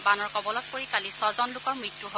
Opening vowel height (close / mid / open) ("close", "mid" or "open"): open